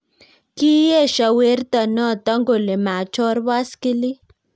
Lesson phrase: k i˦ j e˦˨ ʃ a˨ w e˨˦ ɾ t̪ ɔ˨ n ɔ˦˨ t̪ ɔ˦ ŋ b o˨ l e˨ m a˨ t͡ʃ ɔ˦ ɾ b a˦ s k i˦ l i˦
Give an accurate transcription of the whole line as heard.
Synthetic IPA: k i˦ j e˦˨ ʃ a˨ w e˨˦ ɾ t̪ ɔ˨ n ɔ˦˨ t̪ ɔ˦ ŋ ɡ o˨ l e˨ m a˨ t͡ʃ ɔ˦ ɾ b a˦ s k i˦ l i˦